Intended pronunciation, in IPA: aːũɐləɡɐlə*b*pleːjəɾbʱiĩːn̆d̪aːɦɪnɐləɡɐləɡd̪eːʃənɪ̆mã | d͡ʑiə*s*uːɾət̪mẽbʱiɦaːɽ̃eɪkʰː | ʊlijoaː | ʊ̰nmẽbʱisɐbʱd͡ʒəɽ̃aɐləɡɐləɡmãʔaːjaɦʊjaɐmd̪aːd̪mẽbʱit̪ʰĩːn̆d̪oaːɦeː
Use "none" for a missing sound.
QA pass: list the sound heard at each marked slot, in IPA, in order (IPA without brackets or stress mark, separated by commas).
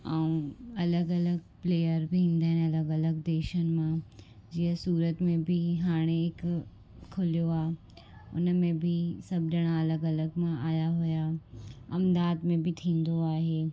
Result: ɡ, s